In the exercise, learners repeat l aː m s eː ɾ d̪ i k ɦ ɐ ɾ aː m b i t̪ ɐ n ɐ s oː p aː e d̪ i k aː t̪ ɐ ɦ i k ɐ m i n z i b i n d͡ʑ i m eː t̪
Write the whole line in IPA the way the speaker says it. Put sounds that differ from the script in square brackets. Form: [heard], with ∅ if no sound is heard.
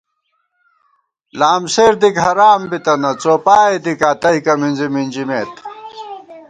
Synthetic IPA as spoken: l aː m s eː ɾ d̪ i k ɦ ɐ ɾ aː m b i t̪ ɐ n ɐ [t͡s] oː p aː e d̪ i k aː t̪ ɐ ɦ i k ɐ m i n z i [m] i n d͡ʑ i m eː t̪